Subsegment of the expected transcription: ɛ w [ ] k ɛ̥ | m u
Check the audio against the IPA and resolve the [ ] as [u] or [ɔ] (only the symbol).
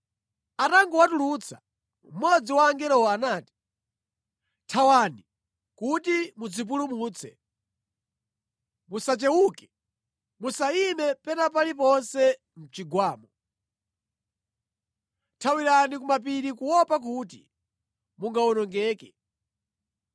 u